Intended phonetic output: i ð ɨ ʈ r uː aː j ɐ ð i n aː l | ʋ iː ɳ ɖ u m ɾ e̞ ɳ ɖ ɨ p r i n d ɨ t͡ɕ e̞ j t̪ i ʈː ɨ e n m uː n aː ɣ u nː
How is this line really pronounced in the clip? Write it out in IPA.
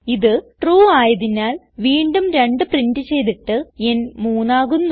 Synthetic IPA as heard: i ð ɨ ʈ r uː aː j ɐ ð i n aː l | ʋ iː ɳ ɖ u m ɾ e̞ ɳ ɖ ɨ p r i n d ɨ t͡ɕ e̞ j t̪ i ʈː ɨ e n m uː n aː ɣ u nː